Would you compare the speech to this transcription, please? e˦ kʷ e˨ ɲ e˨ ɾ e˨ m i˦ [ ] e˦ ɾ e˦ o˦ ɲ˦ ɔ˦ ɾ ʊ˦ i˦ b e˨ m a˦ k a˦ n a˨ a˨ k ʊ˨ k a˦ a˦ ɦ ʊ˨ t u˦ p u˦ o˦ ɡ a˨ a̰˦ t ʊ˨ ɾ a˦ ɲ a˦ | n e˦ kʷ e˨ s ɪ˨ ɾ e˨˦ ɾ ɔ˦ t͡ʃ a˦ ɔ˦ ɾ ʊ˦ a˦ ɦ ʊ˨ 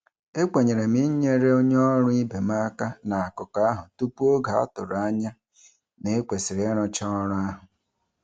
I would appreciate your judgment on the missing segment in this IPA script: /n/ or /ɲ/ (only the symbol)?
ɲ